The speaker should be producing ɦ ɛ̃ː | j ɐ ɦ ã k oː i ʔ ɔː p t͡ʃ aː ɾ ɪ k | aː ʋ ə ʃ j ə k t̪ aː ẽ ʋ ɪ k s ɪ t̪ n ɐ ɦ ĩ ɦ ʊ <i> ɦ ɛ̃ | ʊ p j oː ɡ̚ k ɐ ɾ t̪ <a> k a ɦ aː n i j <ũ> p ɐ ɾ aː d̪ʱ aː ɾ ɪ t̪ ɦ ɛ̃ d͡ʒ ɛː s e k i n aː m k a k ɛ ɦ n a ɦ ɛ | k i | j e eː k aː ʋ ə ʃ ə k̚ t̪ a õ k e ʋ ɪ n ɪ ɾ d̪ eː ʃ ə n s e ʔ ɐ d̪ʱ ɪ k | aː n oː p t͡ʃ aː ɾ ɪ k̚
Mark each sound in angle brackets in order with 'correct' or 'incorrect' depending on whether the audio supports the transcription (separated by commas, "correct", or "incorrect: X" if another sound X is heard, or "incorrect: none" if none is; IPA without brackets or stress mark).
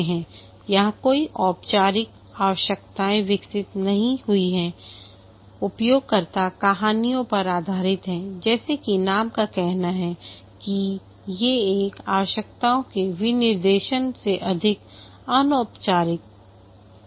correct, correct, incorrect: õ